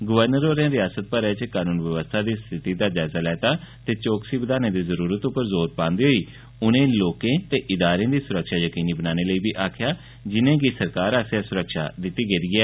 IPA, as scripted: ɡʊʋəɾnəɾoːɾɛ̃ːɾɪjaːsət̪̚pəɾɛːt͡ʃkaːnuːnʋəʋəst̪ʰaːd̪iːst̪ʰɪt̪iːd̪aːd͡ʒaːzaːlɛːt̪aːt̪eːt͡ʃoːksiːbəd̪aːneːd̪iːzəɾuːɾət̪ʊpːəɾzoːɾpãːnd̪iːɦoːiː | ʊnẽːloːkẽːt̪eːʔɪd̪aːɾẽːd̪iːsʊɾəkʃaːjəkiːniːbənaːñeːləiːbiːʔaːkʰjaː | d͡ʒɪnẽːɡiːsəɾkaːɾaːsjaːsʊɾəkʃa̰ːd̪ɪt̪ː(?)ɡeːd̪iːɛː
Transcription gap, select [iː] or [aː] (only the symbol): iː